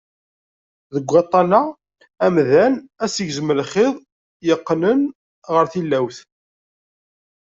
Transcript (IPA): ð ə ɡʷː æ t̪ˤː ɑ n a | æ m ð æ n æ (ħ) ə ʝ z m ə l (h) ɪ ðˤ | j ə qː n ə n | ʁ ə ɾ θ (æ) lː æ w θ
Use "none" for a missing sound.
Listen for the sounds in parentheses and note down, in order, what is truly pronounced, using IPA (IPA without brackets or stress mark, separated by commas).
s, χ, i